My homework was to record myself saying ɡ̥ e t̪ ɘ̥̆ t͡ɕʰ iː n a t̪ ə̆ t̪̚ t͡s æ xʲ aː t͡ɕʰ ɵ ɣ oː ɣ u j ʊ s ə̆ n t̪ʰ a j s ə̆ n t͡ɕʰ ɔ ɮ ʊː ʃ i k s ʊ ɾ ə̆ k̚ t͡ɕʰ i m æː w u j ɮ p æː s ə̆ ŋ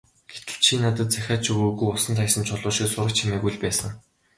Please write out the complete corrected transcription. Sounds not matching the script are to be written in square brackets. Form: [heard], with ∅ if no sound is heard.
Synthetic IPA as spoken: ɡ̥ e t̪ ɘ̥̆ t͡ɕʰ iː n a t̪ ə̆ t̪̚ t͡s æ xʲ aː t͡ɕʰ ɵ ɣ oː ɣ u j ʊ s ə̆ n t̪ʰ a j s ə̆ n t͡ɕʰ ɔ ɮ ʊː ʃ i k s ʊ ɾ ə̆ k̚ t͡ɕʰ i m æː [ɣ] u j ɮ p æː s ə̆ ŋ